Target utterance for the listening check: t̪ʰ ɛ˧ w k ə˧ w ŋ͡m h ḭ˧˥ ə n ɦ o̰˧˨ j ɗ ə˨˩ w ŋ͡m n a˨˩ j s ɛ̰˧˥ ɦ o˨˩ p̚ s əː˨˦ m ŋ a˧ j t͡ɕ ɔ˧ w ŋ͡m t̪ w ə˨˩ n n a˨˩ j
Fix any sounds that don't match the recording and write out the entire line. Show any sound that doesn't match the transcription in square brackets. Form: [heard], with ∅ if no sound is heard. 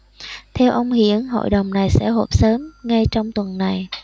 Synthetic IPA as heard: t̪ʰ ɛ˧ w [ʔ] ə˧ w ŋ͡m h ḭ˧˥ ə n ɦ o̰˧˨ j ɗ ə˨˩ w ŋ͡m n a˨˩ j s ɛ̰˧˥ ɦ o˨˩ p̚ s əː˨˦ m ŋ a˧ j t͡ɕ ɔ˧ w ŋ͡m t̪ w ə˨˩ n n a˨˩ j